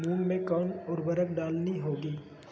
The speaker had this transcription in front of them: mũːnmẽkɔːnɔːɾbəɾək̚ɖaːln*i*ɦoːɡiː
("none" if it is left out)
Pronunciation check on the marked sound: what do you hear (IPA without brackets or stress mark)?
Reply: i